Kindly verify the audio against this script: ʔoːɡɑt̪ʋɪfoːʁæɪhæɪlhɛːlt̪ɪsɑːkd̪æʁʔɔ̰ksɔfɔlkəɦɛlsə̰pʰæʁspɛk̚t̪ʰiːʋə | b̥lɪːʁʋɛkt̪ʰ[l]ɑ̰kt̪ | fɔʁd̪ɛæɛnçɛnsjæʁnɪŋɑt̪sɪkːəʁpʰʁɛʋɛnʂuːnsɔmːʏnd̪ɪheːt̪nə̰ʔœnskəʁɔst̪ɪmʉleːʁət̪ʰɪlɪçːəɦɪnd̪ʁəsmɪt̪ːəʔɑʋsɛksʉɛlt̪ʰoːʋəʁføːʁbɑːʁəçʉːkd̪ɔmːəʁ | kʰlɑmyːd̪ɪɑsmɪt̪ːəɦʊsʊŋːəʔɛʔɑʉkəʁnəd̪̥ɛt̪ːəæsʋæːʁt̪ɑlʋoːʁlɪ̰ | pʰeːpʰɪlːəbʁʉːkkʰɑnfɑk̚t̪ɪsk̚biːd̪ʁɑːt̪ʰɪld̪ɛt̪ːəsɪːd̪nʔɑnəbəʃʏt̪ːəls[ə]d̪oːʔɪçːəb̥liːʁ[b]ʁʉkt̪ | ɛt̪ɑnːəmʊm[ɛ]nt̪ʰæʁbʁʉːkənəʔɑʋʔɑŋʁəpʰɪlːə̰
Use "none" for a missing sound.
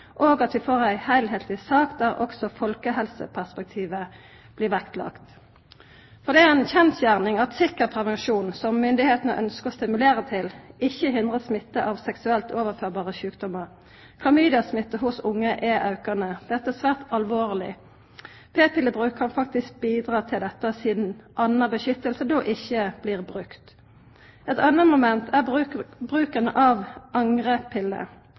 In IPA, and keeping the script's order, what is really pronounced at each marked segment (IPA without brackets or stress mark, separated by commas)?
l, ə, b, ɛ